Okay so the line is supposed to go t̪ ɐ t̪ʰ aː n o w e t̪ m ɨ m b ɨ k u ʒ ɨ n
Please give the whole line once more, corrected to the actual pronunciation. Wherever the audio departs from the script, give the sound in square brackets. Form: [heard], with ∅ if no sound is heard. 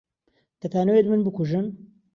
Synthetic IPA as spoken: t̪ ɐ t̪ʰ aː n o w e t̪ m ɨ [n] b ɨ k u ʒ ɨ n